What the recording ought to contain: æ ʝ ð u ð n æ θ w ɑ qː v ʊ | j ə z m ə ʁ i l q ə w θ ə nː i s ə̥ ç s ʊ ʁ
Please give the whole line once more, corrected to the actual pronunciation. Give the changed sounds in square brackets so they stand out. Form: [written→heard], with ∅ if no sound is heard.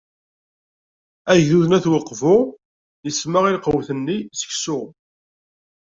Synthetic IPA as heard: æ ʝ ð u ð n æ θ w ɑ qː v ʊ | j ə [z→s] m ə ʁ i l q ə w θ ə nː i s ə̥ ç s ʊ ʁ